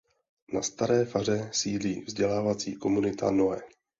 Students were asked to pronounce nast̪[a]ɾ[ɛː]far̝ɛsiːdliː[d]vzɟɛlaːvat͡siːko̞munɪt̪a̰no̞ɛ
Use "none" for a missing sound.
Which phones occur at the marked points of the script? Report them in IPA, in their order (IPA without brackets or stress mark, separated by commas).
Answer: a, ɛː, none